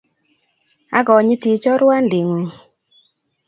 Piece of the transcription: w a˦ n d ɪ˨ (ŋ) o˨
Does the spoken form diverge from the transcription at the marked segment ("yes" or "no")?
no